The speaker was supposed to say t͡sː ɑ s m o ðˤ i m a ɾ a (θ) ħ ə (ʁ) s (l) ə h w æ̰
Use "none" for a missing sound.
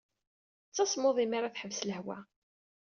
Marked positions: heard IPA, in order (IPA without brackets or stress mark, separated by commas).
θ, v, l